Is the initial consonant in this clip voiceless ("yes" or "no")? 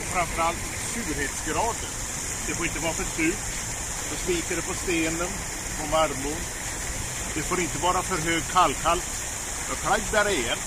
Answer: yes